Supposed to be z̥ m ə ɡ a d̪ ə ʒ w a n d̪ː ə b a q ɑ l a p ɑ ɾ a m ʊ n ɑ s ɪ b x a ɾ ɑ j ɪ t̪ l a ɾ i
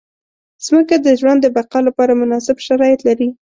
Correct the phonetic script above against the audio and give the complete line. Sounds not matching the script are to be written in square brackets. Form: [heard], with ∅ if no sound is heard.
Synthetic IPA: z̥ m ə [k] a d̪ ə ʒ w a n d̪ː ə b a q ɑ l a p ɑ ɾ a m ʊ n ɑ s ɪ b [ʃ] a ɾ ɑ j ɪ t̪ l a ɾ i

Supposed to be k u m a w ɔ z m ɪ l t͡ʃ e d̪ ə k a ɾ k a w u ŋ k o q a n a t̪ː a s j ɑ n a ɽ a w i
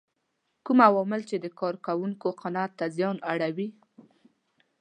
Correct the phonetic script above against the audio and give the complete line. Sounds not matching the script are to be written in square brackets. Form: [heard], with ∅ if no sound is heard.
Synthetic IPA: k u m a w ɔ [∅] m ɪ l t͡ʃ e d̪ ə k [ɑ] ɾ k a w u ŋ k o q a n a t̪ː a [z] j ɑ n a ɽ a w i

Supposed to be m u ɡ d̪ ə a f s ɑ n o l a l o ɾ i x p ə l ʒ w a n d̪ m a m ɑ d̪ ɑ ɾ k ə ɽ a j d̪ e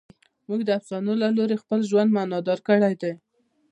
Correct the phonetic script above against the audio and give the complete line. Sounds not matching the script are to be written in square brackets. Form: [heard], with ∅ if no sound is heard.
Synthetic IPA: m u ɡ d̪ ə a f s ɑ n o l a l o ɾ [e] x p ə l ʒ w a n d̪ m a [n] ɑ d̪ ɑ ɾ k ə ɽ a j d̪ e

